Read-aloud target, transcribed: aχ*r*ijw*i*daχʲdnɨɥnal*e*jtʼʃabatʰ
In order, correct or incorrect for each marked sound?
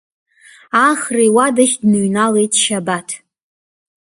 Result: correct, incorrect: a, correct

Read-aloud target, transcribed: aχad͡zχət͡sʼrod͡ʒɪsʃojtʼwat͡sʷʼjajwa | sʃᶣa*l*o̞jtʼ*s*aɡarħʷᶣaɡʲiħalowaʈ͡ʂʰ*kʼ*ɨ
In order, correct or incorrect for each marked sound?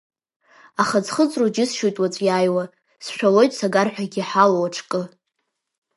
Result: correct, correct, correct

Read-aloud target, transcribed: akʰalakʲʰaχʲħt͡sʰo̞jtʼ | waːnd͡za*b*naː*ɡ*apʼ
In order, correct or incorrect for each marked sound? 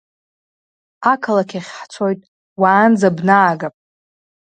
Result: correct, correct

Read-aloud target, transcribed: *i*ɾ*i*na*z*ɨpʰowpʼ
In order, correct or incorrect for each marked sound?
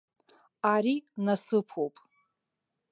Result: incorrect: a, correct, incorrect: s

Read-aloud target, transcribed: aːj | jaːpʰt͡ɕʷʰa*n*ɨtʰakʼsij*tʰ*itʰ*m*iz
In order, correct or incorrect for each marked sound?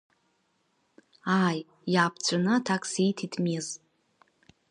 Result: correct, correct, correct

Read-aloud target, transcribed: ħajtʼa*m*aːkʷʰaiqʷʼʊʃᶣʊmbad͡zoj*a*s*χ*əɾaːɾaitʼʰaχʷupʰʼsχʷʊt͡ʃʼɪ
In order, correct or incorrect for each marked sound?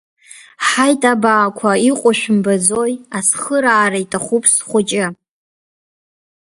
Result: incorrect: b, correct, correct

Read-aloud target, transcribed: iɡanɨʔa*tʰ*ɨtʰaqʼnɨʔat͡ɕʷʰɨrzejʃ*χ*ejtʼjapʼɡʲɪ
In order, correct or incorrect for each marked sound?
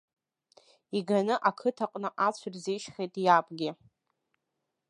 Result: incorrect: kʰ, correct

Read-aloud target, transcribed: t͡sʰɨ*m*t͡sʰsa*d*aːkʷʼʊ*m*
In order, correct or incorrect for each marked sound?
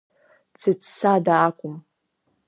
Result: incorrect: none, correct, correct

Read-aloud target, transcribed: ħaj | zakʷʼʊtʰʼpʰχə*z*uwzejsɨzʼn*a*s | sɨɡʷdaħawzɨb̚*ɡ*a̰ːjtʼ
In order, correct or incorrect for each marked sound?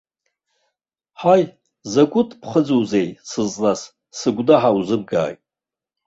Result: incorrect: d͡z, correct, correct

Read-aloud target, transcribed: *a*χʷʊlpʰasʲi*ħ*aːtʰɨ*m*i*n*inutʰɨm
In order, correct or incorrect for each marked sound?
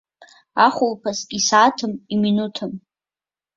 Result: correct, incorrect: s, correct, incorrect: m

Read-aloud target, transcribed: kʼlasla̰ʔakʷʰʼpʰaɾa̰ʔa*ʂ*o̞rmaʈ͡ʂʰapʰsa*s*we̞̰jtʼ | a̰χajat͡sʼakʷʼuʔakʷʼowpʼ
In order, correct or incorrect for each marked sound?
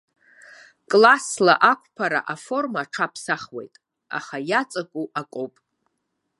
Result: incorrect: f, incorrect: χ

